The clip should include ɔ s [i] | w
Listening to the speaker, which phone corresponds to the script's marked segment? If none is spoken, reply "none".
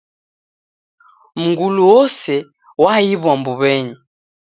ɛ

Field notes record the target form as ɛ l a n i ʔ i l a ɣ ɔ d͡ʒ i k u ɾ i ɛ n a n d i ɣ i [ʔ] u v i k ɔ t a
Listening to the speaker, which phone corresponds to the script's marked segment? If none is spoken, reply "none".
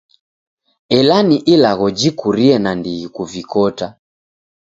k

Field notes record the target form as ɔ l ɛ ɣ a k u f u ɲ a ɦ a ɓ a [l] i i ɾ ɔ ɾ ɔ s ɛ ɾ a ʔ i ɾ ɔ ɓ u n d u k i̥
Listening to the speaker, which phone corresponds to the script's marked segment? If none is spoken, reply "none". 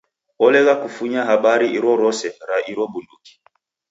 ɾ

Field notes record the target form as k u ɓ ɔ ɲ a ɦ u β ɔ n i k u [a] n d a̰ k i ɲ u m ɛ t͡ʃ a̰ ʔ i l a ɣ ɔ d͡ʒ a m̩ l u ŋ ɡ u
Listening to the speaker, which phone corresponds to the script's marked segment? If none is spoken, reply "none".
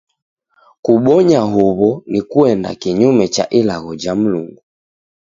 ɛ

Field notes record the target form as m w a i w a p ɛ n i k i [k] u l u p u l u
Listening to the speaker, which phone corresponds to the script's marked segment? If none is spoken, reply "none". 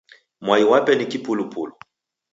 p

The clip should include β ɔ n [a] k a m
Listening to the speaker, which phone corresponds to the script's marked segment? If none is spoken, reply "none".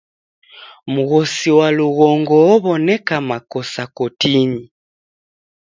ɛ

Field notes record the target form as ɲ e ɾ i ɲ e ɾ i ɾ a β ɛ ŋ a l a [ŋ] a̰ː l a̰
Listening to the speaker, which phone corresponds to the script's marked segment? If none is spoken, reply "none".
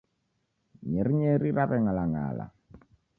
ŋ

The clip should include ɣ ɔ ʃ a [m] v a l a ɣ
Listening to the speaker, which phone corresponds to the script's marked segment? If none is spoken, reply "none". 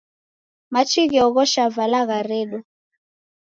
none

